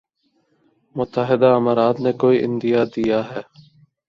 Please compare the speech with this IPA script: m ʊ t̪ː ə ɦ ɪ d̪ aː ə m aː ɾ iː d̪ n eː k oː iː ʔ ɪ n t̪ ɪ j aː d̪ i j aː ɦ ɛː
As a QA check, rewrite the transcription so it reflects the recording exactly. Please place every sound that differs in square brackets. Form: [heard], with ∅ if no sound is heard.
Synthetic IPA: m ʊ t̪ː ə ɦ ɪ d̪ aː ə m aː ɾ [aː] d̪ n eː k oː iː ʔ ɪ n [d̪] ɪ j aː d̪ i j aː ɦ ɛː